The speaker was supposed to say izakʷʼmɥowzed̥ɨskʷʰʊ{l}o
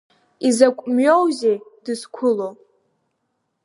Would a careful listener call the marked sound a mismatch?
no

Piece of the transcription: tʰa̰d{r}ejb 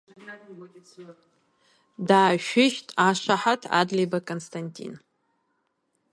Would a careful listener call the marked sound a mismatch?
yes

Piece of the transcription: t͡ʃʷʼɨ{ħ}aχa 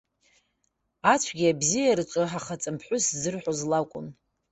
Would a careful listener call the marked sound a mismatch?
no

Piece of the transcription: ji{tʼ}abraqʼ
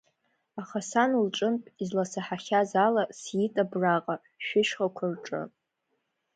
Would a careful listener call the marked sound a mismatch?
no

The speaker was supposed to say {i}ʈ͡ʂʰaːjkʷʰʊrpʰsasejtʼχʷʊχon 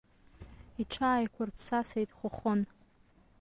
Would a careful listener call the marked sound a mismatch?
no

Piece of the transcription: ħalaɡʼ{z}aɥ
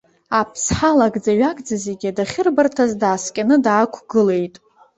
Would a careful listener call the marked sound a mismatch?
yes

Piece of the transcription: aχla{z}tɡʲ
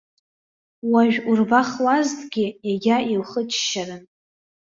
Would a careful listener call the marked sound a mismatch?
no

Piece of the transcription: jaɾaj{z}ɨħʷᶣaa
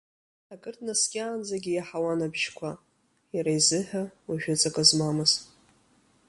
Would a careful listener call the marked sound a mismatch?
no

